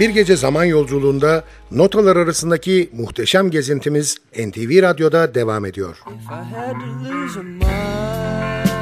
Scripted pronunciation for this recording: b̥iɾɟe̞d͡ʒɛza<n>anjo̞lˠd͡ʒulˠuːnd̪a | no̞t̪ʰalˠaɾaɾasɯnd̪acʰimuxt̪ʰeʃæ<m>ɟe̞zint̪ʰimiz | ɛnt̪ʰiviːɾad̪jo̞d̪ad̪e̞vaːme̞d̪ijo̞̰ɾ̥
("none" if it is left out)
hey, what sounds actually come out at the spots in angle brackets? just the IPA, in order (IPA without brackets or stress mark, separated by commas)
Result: m, m